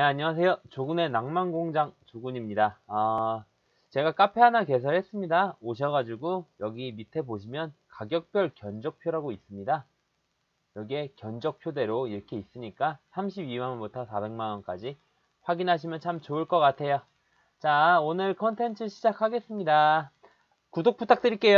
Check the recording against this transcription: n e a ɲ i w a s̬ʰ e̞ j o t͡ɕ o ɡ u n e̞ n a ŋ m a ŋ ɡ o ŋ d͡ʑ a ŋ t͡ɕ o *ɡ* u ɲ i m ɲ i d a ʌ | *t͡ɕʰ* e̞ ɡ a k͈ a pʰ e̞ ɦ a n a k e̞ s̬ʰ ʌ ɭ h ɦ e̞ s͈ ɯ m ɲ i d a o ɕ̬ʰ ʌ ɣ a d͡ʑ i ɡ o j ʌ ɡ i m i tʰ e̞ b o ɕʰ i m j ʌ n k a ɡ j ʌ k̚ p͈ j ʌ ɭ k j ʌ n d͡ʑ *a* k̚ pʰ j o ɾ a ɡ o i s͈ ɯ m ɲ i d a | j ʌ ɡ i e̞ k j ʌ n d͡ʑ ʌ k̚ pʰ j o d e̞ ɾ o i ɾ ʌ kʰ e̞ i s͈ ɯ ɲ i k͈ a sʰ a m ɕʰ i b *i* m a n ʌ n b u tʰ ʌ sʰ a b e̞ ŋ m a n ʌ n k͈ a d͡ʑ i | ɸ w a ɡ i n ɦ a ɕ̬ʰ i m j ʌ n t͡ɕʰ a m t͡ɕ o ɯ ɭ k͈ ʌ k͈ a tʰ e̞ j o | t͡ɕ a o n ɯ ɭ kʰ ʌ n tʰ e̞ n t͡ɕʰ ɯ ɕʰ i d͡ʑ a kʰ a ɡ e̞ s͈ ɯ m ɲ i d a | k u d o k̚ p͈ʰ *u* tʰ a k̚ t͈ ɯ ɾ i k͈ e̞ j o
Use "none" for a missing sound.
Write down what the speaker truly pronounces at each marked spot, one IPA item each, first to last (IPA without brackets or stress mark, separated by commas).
ɡ, t͡ɕ, ʌ, i, u